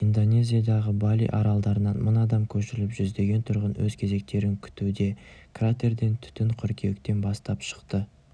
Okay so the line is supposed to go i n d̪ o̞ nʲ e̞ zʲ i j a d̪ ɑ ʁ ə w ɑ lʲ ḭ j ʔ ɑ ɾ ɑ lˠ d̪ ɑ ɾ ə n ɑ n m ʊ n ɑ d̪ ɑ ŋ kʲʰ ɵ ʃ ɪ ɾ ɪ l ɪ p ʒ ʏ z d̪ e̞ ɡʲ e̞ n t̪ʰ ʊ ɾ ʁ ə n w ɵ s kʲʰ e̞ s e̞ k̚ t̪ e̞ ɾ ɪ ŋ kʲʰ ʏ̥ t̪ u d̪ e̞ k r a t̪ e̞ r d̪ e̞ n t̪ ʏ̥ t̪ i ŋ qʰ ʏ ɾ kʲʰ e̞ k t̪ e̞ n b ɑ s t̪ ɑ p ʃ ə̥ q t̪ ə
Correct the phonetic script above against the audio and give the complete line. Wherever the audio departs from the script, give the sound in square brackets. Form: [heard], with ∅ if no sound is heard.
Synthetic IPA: i n d̪ o̞ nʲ e̞ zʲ i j a d̪ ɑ ʁ ə [b] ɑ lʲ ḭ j ʔ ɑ ɾ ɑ lˠ d̪ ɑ ɾ ə n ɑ n m ʊ n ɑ d̪ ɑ [m] kʲʰ ɵ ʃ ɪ ɾ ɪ l ɪ p ʒ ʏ z d̪ e̞ ɡʲ e̞ n t̪ʰ ʊ ɾ ʁ ə n w ɵ [z] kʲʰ e̞ [z] e̞ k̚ t̪ e̞ ɾ ɪ ŋ kʲʰ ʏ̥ t̪ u d̪ e̞ k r a t̪ e̞ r d̪ e̞ n [t̪ʰ] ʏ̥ t̪ [ɪ] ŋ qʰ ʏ ɾ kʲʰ e̞ k t̪ e̞ n b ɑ s t̪ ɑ p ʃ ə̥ q t̪ ə